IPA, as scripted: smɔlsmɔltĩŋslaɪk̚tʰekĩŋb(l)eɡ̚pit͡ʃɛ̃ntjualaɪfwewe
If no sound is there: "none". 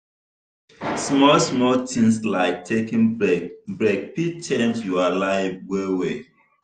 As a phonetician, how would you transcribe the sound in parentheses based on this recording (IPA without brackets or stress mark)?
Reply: ɹ